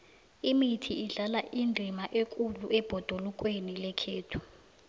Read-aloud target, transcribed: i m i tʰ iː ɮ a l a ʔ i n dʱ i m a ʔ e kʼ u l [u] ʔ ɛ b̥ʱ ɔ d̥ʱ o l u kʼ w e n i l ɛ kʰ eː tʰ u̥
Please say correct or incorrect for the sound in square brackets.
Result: correct